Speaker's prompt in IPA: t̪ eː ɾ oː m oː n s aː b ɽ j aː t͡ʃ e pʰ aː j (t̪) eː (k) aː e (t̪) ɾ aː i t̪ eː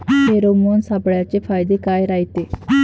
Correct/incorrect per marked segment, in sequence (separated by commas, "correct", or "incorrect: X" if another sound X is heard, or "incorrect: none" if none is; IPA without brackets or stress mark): incorrect: d̪, correct, incorrect: none